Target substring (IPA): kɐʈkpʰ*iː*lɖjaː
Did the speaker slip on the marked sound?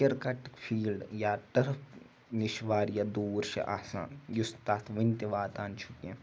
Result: no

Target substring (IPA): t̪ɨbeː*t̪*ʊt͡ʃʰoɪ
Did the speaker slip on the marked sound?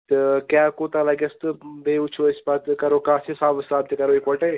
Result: yes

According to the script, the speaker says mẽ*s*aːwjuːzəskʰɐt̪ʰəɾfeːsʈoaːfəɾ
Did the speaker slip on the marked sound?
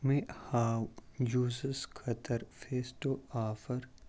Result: yes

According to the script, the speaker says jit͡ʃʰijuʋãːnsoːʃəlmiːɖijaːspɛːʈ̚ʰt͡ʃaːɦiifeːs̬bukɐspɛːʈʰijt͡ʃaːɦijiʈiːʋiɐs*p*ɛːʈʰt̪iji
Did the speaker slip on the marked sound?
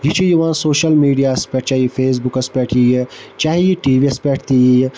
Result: no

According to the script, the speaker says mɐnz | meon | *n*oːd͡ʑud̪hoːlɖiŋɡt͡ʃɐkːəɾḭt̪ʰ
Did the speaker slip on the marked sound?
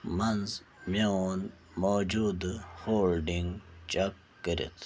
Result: yes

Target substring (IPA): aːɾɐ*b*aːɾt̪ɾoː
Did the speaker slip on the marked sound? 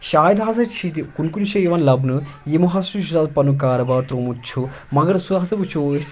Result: no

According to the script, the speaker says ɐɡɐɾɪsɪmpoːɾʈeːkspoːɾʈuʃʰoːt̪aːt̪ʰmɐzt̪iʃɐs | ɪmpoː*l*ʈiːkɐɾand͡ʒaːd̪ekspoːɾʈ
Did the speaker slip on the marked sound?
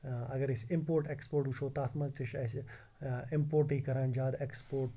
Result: yes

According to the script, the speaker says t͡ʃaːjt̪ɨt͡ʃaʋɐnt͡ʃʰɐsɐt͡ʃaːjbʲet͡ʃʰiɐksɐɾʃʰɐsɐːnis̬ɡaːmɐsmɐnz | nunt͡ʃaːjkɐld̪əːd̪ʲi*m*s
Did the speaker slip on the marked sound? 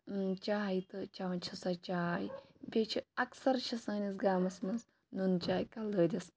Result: yes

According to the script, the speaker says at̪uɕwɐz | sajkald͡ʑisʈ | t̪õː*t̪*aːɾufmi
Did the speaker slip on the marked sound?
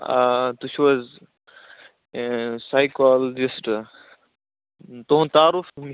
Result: no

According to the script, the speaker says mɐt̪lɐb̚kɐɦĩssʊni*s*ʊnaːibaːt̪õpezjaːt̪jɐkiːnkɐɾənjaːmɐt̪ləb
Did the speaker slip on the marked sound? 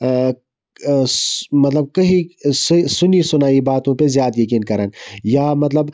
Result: no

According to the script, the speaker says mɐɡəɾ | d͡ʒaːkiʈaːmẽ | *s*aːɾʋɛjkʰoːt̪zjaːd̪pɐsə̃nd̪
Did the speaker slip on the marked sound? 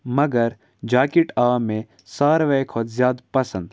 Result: no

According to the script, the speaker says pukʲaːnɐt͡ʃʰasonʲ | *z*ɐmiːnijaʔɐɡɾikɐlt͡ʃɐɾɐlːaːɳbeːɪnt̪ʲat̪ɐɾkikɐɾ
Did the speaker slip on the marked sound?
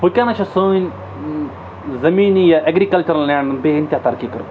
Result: no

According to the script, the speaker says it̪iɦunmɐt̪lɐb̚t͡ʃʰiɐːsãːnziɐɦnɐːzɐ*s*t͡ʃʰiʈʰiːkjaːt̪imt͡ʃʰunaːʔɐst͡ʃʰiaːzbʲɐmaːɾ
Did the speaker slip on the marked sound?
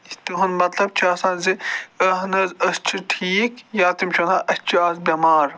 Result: no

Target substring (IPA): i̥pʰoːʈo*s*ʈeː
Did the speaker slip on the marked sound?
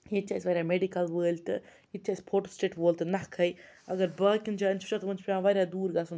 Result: no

